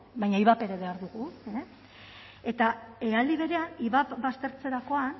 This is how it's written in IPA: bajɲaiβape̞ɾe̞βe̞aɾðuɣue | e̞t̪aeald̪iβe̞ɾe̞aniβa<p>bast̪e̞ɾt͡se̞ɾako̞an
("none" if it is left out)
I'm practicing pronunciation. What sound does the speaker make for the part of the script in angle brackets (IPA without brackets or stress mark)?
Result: p